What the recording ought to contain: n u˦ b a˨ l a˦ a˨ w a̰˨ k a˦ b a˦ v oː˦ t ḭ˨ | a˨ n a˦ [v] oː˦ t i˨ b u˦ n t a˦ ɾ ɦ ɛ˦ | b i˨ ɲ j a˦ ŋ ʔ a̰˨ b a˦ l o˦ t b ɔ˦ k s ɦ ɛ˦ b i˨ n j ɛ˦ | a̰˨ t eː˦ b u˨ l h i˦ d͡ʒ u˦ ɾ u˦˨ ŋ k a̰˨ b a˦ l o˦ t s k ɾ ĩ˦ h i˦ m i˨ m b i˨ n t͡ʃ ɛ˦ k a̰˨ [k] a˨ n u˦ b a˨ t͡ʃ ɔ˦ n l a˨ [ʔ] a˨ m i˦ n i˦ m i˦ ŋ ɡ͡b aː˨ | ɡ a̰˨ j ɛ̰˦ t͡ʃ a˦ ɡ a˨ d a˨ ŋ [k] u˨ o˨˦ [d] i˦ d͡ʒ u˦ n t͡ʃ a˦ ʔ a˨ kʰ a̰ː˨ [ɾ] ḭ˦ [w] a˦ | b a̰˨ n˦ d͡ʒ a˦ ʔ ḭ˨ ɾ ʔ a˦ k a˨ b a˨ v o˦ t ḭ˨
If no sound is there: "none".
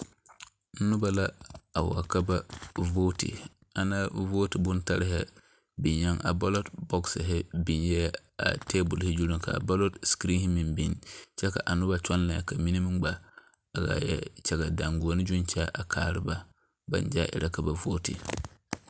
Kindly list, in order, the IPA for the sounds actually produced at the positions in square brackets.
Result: v, ʔ, k, ɡ, n, ɾ, b

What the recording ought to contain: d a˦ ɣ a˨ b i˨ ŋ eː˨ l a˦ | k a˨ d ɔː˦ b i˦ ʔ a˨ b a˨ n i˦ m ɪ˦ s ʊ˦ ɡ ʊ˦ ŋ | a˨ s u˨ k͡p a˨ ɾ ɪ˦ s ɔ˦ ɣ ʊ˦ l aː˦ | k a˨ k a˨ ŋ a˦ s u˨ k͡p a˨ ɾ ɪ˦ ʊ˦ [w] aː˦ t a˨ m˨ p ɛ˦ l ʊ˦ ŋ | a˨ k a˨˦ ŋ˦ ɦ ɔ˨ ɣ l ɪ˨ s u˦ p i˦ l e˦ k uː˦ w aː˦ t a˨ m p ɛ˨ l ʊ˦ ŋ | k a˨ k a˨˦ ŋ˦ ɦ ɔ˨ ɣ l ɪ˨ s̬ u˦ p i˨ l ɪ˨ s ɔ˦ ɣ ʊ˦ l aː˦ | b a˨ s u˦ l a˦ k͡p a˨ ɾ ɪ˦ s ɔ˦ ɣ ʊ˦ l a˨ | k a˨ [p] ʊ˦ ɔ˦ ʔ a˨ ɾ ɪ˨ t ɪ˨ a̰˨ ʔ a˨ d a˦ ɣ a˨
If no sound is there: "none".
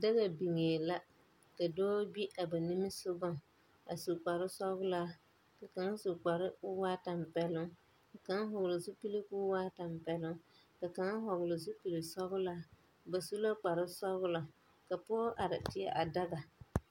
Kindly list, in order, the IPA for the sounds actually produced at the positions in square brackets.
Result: w, p

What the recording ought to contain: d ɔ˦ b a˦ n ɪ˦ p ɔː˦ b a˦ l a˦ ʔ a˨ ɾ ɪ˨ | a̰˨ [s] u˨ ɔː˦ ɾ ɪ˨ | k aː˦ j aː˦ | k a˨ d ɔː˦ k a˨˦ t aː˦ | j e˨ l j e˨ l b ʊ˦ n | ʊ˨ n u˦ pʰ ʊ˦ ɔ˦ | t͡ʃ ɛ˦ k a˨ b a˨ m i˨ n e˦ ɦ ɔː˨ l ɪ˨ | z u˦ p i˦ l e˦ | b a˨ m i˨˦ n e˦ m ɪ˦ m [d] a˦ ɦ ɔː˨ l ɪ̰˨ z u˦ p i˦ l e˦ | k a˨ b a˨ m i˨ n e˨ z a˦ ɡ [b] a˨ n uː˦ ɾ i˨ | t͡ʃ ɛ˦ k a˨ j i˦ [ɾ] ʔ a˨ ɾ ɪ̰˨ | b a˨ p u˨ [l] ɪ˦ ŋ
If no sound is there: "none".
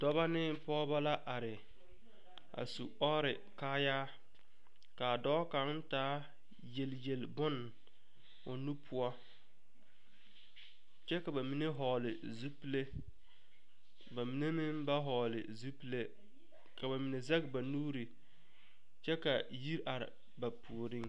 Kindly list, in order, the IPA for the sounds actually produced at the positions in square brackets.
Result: s, b, b, ɾ, ɾ

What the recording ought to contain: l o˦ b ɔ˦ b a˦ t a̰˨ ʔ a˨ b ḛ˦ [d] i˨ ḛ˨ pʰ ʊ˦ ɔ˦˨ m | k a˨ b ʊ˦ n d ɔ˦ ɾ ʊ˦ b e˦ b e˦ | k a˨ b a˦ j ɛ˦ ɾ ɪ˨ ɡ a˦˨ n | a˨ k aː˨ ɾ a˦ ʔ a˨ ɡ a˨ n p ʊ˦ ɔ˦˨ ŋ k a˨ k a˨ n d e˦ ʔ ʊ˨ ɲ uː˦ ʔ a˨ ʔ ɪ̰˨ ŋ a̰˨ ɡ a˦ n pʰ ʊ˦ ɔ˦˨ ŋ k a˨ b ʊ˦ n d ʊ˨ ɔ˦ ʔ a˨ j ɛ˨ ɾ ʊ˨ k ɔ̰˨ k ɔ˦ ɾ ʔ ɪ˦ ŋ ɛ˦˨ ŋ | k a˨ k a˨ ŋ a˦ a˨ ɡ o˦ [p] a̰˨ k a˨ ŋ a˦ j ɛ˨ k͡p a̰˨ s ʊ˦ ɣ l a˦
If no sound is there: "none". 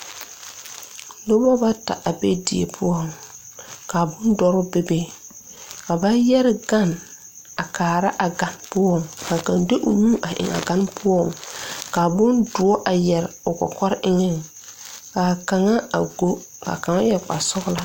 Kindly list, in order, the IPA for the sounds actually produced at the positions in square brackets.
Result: d, k

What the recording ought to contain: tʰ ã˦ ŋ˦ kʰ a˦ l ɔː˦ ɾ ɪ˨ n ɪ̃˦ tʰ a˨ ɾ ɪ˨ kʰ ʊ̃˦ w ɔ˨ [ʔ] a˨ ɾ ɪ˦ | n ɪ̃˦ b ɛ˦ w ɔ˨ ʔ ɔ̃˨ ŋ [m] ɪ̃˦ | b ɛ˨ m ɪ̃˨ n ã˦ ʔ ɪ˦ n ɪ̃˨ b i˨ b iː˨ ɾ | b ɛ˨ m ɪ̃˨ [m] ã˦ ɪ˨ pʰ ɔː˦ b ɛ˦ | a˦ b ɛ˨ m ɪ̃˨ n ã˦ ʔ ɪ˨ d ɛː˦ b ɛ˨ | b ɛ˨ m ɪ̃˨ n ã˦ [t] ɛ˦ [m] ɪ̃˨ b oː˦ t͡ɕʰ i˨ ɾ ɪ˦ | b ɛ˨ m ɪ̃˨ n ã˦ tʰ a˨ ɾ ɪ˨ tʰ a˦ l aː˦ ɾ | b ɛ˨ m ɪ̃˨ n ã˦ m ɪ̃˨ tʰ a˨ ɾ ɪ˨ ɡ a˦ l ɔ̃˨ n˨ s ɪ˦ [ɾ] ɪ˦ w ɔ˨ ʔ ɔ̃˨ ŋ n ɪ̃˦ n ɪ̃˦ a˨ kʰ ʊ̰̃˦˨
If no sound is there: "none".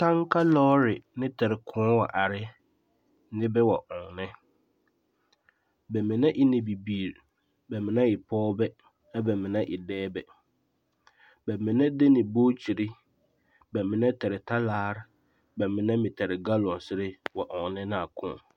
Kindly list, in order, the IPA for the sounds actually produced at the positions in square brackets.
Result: ʔ, n, n, d, n, ɾ

